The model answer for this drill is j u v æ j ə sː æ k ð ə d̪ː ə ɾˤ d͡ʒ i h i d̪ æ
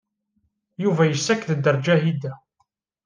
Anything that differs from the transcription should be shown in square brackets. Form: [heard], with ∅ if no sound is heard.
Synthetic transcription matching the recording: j u v æ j ə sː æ k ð ə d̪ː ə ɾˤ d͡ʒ [æ] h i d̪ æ